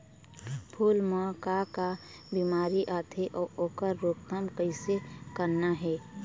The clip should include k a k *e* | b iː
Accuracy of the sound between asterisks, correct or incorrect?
incorrect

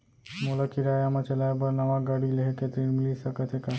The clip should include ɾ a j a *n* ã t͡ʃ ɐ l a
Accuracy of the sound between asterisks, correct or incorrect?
incorrect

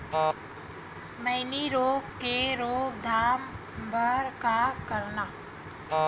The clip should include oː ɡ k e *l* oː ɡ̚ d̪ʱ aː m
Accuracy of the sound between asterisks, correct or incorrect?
incorrect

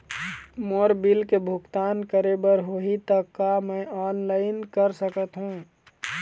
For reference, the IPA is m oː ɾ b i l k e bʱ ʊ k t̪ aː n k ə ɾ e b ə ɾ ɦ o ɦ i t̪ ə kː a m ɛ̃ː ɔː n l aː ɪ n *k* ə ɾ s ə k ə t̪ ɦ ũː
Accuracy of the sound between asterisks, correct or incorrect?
correct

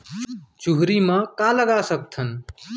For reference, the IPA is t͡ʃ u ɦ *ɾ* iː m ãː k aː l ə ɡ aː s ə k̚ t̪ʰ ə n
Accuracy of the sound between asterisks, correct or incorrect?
correct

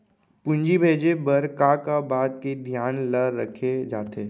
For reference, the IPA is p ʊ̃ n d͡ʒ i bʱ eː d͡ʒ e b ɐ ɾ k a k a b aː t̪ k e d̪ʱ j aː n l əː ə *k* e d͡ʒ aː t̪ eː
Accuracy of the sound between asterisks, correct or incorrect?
incorrect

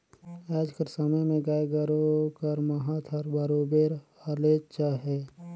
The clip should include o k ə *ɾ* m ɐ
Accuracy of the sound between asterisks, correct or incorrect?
correct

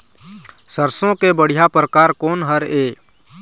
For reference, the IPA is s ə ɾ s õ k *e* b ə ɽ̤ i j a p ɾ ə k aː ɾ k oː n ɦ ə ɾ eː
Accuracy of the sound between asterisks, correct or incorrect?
correct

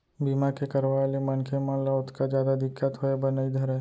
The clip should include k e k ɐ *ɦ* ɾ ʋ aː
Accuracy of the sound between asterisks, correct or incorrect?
incorrect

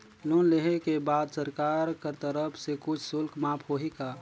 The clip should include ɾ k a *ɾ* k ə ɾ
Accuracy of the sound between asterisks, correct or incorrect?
correct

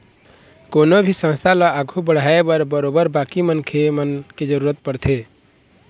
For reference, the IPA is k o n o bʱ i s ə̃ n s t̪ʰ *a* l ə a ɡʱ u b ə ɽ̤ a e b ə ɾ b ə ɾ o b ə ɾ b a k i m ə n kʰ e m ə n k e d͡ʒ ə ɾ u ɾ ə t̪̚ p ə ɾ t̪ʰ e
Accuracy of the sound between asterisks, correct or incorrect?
correct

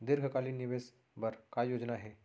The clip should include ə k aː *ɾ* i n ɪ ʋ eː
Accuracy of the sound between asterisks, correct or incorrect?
incorrect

